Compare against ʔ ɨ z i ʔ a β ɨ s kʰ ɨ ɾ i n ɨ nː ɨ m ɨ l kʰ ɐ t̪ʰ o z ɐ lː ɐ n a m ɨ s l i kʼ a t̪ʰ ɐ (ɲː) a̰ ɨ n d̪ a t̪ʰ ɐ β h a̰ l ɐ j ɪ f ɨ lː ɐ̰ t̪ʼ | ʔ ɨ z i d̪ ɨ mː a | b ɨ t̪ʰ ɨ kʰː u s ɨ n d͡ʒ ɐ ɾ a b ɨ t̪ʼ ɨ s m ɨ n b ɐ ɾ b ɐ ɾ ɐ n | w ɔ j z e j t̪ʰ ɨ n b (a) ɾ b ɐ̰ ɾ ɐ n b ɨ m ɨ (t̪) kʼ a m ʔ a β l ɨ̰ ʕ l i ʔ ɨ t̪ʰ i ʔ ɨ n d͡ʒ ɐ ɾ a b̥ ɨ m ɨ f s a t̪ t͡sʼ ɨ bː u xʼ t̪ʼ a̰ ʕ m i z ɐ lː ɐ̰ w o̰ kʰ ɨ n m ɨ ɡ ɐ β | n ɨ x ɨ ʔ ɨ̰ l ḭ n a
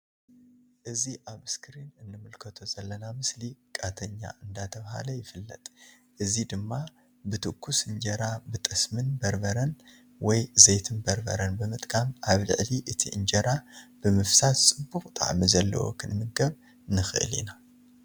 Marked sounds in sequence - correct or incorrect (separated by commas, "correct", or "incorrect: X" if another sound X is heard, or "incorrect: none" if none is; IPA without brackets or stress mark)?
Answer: correct, incorrect: ɐ, incorrect: t̪ʼ